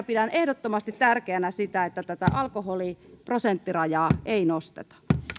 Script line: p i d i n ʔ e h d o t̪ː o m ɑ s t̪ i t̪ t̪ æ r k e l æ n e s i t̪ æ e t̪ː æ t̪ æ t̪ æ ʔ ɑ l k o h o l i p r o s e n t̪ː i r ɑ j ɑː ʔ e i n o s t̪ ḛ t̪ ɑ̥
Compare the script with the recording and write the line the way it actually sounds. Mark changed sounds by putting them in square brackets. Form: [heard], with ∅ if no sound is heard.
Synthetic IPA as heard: p i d [æ] n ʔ e h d o t̪ː o m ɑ s t̪ i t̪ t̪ æ r k e [∅] æ n [æ] s i t̪ æ e t̪ː æ t̪ æ t̪ æ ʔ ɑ l k o h o l i p r o s e n t̪ː i r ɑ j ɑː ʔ e i n o s t̪ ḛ t̪ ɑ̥